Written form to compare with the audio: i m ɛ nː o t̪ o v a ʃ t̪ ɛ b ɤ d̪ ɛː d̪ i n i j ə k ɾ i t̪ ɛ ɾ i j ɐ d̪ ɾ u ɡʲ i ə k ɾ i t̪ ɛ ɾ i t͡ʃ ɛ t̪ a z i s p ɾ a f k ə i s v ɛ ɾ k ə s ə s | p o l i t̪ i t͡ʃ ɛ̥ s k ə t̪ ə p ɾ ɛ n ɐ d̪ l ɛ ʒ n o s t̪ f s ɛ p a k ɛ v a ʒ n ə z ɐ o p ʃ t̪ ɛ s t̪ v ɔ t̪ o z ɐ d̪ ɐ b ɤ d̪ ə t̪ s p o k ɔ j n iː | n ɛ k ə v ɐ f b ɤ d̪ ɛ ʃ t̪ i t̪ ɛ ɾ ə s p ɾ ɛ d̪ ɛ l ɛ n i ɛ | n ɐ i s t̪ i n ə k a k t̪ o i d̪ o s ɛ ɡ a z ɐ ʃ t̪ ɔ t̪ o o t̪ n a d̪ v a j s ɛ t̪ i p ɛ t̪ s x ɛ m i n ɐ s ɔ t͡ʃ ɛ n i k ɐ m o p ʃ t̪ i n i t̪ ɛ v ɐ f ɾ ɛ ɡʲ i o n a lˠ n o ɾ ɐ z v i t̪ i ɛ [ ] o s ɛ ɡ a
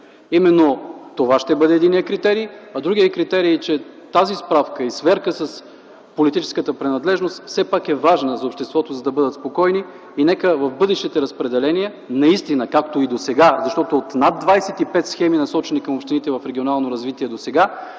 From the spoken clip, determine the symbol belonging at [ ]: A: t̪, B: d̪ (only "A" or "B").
B